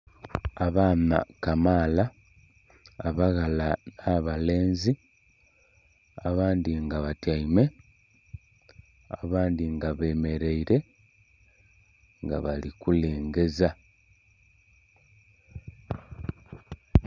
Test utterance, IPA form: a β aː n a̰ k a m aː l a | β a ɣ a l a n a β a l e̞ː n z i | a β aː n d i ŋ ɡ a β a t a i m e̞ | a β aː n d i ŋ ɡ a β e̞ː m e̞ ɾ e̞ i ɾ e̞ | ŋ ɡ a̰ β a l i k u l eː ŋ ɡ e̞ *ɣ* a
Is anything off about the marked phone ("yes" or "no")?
yes